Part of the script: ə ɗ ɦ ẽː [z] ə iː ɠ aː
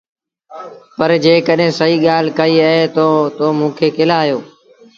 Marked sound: incorrect: s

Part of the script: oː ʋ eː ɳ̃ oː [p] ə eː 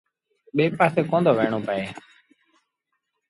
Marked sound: correct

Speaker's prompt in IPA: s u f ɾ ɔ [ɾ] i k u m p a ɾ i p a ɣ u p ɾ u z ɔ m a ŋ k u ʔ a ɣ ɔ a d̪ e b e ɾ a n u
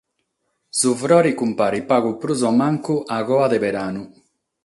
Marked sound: correct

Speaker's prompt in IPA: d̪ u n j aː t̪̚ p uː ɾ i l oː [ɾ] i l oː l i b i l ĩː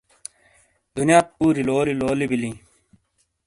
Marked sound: incorrect: l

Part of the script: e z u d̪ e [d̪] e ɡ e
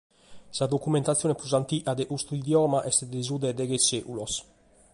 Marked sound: correct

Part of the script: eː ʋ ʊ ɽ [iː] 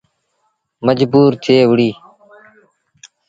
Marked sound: correct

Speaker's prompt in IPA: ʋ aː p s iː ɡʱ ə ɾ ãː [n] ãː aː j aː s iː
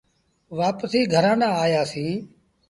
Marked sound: correct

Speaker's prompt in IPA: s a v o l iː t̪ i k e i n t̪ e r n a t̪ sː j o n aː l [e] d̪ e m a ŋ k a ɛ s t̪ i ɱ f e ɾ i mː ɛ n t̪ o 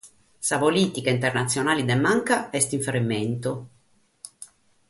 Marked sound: incorrect: i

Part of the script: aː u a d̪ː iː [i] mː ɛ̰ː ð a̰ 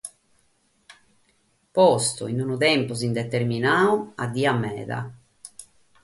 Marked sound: incorrect: a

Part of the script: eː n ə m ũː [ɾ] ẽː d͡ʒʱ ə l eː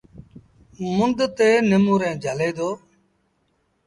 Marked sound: correct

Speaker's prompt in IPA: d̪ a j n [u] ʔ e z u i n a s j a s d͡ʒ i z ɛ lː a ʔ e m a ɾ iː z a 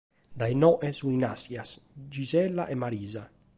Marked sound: incorrect: ɔ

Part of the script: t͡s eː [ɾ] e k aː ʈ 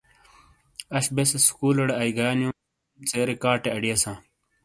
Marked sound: correct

